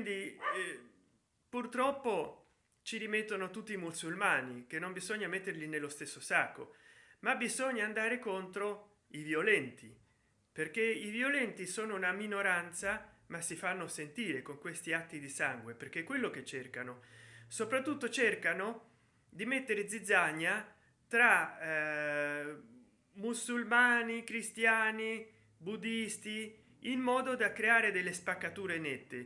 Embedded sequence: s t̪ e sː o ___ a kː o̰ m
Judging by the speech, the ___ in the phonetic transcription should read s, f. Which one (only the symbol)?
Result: s